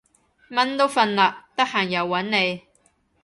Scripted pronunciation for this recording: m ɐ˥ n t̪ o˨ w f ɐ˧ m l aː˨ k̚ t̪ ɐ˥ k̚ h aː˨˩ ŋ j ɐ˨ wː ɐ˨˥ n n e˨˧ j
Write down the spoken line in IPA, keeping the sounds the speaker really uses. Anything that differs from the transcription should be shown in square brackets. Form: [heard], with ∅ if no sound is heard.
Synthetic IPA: m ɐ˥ n t̪ [o˥] w f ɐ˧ [n] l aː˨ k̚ t̪ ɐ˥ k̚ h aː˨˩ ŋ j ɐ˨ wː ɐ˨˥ n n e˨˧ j